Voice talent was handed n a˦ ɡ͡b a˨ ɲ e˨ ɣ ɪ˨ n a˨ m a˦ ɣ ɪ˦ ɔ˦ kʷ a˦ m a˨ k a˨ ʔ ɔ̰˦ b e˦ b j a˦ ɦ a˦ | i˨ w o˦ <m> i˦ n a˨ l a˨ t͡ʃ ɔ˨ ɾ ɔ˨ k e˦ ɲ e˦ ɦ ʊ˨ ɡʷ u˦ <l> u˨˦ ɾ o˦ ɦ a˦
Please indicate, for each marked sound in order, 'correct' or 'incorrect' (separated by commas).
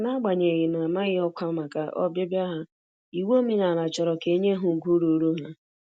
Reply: correct, incorrect